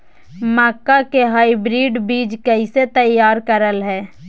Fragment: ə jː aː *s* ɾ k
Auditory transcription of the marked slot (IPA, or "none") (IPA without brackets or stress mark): none